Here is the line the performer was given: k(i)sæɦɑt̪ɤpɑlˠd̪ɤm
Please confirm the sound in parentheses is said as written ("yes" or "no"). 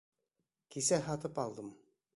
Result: yes